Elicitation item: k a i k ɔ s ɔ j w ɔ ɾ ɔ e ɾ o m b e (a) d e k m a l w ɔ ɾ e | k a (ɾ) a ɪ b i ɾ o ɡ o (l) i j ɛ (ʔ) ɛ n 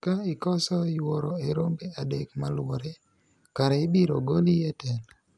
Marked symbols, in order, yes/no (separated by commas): yes, yes, yes, no